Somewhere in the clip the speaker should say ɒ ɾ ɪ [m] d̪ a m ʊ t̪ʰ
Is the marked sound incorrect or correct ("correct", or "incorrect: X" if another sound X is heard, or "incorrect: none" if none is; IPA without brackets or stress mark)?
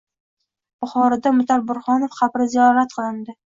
incorrect: none